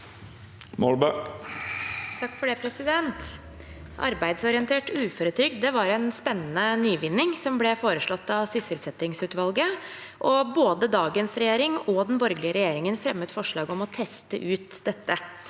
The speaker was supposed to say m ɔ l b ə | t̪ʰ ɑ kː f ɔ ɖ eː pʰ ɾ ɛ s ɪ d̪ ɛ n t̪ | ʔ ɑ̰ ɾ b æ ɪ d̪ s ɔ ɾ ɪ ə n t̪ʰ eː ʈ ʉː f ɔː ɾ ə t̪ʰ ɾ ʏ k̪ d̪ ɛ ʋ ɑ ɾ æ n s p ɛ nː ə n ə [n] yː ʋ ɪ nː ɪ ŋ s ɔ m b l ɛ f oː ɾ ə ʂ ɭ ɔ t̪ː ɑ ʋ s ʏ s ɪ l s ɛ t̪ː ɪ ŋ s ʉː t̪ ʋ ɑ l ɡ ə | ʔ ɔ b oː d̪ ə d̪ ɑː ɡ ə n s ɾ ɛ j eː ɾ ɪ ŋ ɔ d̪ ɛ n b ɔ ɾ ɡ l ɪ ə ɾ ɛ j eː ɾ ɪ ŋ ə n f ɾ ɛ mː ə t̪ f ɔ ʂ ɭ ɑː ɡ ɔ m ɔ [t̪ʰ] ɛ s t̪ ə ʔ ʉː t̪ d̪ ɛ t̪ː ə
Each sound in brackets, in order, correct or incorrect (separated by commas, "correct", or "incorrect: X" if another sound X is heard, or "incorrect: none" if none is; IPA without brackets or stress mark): correct, correct